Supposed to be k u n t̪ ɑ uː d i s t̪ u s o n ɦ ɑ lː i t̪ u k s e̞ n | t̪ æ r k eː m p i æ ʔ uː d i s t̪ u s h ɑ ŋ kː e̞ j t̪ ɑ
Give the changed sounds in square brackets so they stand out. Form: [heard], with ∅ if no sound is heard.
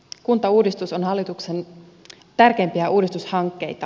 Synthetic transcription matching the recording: k u n t̪ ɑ uː d i s t̪ u s o n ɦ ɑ lː i t̪ u k s e̞ n | t̪ æ r k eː m p i æ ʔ uː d i s t̪ u s h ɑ ŋ kː e̞ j t̪ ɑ